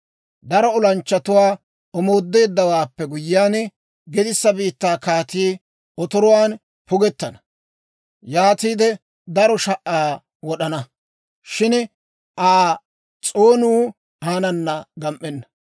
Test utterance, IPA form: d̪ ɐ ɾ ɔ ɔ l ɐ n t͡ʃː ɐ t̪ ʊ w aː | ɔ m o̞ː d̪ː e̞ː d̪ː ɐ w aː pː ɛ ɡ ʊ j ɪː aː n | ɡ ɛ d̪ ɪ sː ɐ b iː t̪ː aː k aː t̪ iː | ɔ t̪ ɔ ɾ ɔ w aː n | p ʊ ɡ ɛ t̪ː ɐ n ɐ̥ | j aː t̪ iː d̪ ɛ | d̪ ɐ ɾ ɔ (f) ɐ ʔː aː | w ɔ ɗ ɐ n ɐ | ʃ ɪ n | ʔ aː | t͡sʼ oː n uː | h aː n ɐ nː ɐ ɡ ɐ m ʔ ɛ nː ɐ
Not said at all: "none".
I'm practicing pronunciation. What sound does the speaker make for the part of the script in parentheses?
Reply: ʃ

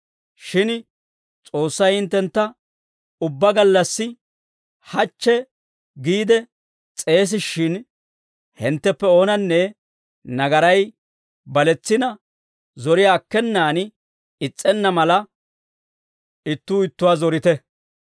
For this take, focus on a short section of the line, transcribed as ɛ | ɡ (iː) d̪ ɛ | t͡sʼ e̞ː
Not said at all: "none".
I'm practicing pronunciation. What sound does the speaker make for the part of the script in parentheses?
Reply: iː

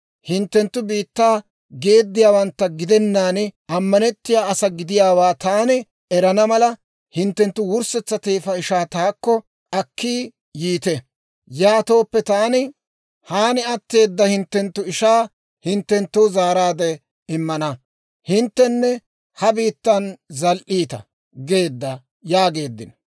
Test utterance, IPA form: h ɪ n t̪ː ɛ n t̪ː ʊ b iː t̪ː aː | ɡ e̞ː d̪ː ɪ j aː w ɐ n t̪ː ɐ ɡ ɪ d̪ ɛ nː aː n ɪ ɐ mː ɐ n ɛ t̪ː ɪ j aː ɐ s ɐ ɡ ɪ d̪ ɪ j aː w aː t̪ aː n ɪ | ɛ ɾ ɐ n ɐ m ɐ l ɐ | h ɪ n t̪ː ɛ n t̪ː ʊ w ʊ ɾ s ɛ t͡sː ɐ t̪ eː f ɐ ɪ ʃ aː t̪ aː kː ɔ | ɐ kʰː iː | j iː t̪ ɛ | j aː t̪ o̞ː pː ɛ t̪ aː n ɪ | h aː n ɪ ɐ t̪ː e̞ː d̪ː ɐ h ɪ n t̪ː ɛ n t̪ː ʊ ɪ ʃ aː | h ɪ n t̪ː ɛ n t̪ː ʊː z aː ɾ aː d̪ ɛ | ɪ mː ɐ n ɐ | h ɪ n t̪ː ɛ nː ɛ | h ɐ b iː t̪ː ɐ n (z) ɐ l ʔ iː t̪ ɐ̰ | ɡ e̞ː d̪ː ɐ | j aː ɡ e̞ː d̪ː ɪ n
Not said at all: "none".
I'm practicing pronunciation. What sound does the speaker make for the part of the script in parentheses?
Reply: z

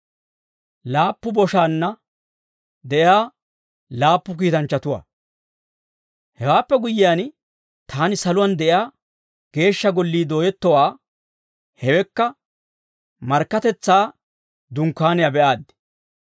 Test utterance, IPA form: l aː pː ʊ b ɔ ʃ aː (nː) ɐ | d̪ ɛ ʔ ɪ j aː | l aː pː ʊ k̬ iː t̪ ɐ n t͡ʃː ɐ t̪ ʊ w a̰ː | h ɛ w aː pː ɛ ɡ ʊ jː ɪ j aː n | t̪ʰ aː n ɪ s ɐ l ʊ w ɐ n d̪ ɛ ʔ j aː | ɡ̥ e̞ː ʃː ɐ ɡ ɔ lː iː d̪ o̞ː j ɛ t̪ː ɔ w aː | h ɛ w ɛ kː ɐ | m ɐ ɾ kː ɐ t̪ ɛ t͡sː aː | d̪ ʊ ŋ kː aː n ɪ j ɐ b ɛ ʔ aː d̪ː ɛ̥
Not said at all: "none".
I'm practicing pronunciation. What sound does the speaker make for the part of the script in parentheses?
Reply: nː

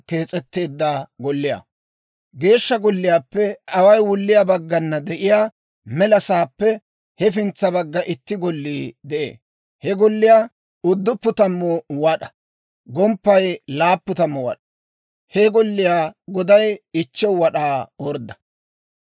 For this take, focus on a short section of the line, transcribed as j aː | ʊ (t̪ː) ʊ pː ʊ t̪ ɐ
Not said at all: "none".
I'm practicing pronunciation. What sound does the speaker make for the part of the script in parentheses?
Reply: d̪ː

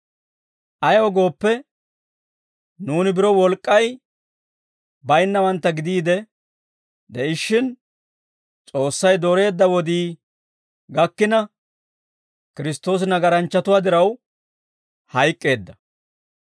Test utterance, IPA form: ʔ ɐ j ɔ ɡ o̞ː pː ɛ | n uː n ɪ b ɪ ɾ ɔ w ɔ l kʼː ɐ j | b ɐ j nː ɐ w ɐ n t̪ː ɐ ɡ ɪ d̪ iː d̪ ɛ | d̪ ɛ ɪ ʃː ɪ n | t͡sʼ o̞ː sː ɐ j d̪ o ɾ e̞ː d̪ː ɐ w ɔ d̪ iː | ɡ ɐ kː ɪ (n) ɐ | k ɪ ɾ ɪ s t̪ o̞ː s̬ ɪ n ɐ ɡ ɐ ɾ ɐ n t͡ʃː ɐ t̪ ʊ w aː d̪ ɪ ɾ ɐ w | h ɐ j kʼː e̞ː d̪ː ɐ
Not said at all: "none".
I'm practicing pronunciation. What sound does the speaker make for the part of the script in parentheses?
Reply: n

